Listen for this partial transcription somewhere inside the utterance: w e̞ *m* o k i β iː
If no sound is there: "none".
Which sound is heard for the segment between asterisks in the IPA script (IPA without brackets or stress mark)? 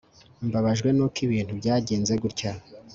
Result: n